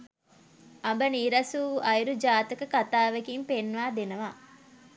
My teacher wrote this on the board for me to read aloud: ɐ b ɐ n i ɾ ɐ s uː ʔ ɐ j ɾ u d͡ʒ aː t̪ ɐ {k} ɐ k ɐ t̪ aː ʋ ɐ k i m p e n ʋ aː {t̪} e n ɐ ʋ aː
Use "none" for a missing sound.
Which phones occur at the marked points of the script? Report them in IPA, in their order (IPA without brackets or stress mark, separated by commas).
k, d̪